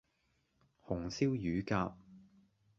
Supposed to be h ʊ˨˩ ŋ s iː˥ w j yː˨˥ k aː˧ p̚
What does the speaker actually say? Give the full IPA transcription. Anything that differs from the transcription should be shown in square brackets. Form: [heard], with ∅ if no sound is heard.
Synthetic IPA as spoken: h ʊ˨˩ ŋ s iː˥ w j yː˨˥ k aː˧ p̚